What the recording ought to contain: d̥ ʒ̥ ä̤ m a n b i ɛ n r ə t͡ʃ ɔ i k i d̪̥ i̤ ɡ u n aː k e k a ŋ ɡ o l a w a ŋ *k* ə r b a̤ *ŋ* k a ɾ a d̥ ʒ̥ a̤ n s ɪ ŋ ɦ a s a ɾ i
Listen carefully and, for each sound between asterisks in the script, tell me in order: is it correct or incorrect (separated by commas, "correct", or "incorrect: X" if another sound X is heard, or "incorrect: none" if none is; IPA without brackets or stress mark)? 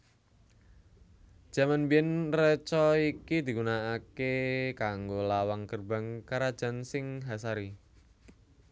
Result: correct, correct